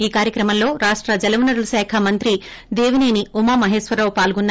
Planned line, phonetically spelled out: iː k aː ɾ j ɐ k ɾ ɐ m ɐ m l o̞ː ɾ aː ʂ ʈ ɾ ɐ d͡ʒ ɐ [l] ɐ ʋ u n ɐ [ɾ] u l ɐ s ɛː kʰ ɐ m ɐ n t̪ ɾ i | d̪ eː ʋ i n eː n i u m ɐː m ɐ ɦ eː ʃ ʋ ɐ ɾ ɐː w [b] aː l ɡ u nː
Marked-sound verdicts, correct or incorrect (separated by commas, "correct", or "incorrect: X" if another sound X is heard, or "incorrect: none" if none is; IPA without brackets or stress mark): correct, correct, incorrect: p